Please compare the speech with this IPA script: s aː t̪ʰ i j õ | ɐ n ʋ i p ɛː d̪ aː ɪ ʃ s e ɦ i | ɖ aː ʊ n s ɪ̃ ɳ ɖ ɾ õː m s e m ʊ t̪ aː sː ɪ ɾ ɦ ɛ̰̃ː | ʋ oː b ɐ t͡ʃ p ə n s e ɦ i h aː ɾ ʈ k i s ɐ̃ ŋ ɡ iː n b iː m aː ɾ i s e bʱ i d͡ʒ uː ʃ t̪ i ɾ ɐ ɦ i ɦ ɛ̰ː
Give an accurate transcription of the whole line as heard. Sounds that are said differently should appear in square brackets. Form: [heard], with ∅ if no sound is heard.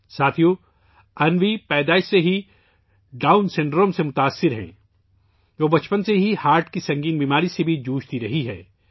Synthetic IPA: s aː t̪ʰ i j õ | ɐ n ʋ i p ɛː d̪ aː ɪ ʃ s e ɦ i | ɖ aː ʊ n s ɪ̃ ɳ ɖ ɾ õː m s e m ʊ t̪ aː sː ɪ ɾ ɦ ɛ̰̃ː | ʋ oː b ɐ t͡ʃ p ə n s e ɦ i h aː ɾ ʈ k i s ɐ̃ ŋ ɡ iː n b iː m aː ɾ i s e bʱ i d͡ʒ uː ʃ t̪ i ɾ ɐ ɦ i ɦ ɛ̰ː